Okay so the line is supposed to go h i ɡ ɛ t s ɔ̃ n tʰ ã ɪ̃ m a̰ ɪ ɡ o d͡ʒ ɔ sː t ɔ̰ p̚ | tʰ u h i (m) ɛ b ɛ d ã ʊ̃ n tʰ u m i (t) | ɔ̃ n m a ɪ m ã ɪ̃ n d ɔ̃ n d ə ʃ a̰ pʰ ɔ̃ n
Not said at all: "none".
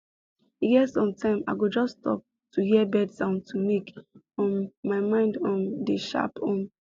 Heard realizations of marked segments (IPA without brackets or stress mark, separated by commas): none, k